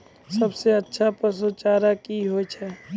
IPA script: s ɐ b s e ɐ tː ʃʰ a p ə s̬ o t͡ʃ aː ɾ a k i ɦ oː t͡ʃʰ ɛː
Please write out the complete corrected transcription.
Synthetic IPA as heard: s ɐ b s e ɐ tː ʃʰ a p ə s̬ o t͡ʃ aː ɾ a k i ɦ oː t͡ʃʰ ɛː